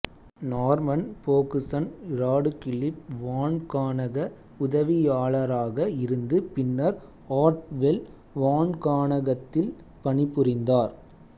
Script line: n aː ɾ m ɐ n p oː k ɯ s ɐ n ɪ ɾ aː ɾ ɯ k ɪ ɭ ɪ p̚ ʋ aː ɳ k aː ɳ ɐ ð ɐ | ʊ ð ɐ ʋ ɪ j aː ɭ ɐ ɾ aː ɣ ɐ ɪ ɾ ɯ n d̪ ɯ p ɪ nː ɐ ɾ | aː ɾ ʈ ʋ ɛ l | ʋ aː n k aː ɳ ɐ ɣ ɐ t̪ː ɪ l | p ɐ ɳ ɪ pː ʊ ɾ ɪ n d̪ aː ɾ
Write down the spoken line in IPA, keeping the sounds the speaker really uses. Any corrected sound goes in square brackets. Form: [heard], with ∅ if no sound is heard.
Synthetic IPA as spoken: n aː ɾ m ɐ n p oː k ɯ s ɐ n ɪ ɾ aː [ɽ] ɯ k ɪ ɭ ɪ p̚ ʋ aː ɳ k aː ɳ ɐ [ɣ] ɐ | ʊ ð ɐ ʋ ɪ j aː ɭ ɐ ɾ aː ɣ ɐ ɪ ɾ ɯ n d̪ ɯ p ɪ nː ɐ ɾ | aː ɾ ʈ ʋ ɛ l | ʋ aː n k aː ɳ ɐ ɣ ɐ t̪ː ɪ l | p ɐ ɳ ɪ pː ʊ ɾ ɪ n d̪ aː ɾ